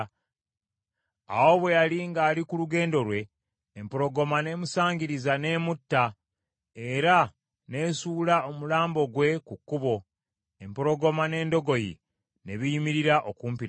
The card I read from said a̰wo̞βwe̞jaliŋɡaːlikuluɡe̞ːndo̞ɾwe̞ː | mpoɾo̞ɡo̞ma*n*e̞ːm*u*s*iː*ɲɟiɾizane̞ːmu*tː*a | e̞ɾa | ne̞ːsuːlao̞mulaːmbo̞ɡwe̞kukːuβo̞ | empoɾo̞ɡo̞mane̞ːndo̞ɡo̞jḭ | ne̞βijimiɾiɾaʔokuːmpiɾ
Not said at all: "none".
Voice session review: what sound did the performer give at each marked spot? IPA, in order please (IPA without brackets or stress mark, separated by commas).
n, u, aː, tː